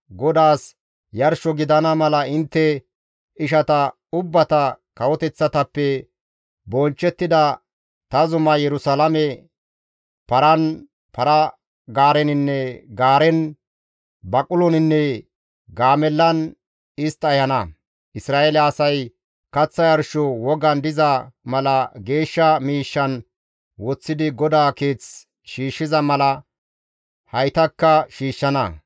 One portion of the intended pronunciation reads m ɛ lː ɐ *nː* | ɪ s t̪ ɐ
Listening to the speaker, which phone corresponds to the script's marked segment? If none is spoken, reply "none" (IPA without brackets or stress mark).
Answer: n